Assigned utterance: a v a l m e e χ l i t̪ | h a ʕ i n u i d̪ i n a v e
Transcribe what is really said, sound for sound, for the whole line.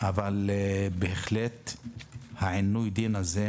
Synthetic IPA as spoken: a v a l b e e χ l e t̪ | h a ʕ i n u j d̪ i n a z e